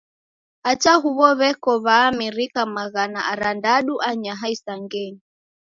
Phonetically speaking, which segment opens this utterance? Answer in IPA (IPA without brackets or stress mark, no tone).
a